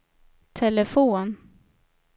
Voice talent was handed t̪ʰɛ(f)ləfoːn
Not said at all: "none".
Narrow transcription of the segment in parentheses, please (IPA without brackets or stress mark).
none